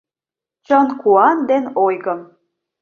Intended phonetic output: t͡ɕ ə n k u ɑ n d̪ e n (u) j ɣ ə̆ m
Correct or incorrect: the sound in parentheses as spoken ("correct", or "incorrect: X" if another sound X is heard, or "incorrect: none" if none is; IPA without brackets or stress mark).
incorrect: o